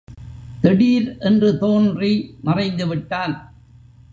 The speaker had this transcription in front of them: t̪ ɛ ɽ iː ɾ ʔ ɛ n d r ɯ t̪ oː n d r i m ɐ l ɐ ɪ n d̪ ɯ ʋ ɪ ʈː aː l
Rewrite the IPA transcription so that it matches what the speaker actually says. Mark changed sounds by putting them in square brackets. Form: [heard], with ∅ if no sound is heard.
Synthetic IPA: t̪ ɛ ɽ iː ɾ ʔ ɛ n d r ɯ t̪ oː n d r i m ɐ [r] ɐ ɪ n d̪ ɯ ʋ ɪ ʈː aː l